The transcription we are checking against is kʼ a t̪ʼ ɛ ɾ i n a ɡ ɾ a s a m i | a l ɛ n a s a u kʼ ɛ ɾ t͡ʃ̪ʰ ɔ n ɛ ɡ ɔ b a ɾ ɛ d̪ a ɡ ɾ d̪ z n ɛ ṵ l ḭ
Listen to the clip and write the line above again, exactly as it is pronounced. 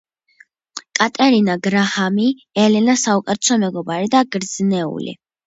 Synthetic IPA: kʼ a t̪ʼ ɛ ɾ i n a ɡ ɾ a h a m i | ɛ l ɛ n a s a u kʼ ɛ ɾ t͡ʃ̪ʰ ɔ m ɛ ɡ ɔ b a ɾ i d̪ a ɡ ɾ d̪ z n ɛ ṵ l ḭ